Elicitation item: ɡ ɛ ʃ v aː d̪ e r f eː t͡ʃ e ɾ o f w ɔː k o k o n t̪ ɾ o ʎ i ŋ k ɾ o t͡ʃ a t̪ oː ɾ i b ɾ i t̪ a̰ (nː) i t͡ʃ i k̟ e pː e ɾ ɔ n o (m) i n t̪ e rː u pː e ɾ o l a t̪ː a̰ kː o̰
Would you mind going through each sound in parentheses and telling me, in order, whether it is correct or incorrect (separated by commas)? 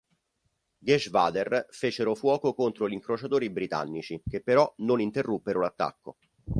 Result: correct, incorrect